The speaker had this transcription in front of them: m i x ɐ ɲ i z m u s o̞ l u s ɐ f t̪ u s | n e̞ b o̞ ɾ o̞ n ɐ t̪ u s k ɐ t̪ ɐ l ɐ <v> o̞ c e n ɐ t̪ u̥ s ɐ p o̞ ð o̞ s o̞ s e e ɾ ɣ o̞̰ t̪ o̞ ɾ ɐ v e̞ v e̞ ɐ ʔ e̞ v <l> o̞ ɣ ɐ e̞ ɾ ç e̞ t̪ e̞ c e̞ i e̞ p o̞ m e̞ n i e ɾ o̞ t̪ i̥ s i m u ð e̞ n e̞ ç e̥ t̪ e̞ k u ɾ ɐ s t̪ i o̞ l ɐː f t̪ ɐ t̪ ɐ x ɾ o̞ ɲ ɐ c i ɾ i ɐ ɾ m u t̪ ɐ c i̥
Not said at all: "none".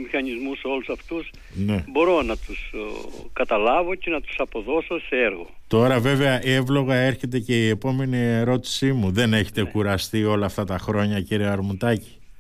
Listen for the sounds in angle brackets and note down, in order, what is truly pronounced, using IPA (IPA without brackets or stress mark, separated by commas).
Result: v, l